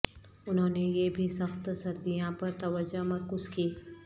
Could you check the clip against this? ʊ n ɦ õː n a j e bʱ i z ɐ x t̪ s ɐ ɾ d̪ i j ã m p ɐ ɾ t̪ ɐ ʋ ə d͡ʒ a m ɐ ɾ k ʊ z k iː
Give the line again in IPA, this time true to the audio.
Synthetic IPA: ʊ n ɦ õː n e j e bʱ i s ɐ x t̪ s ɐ ɾ d̪ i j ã p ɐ ɾ t̪ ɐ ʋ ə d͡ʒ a m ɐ ɾ k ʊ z k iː